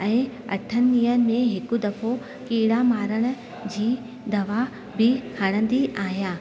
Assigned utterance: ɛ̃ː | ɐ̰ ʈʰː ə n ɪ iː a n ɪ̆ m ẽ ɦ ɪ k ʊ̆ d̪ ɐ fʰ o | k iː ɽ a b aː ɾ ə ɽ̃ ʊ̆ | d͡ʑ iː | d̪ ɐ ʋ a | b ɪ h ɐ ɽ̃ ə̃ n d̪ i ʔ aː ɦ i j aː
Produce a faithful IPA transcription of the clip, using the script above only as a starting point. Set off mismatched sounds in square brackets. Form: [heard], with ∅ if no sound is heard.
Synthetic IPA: ɛ̃ː | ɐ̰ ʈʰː ə n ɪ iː [ə] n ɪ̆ m ẽ ɦ ɪ k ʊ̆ d̪ ɐ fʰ o | k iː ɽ a [m] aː ɾ ə ɽ̃ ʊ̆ | d͡ʑ iː | d̪ ɐ ʋ a | b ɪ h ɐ ɽ̃ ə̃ n d̪ i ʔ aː ɦ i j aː

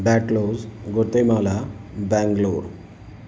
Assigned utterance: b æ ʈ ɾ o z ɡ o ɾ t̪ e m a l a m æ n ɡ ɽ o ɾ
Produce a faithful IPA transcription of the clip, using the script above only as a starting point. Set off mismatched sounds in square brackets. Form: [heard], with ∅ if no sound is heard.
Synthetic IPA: b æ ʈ [l] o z ɡ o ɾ t̪ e m a l a [b] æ [ŋ] ɡ [l] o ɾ

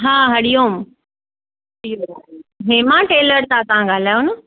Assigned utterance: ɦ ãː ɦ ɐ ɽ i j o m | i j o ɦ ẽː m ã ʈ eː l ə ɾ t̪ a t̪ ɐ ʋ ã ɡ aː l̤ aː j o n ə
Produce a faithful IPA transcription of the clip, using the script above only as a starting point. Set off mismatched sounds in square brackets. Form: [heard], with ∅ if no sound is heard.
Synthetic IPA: ɦ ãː ɦ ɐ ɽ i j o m | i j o ɦ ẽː m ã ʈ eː l ə ɾ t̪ a t̪ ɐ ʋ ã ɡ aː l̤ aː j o n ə

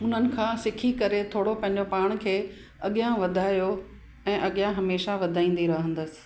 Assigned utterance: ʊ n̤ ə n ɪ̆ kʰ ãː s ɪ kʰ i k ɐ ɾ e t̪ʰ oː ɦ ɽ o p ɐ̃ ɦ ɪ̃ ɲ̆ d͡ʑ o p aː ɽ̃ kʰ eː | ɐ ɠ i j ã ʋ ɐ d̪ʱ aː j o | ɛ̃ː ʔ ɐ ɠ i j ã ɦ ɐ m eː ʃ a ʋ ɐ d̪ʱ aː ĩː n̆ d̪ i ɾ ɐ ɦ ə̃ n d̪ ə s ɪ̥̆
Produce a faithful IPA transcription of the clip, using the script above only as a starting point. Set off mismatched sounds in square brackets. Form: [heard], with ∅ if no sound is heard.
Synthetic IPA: ʊ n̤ ə n ɪ̆ kʰ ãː s ɪ kʰ i k ɐ ɾ e t̪ʰ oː [∅] ɽ o p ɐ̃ ɦ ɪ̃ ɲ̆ d͡ʑ o p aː ɽ̃ kʰ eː | ɐ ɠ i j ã ʋ ɐ d̪ʱ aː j o | ɛ̃ː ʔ ɐ ɠ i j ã ɦ ɐ m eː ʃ a ʋ ɐ d̪ʱ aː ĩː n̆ d̪ i ɾ ɐ ɦ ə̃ n d̪ ə s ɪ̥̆

